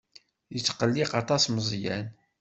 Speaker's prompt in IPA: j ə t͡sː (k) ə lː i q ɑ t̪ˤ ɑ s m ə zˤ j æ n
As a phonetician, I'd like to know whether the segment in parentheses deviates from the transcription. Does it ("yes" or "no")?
yes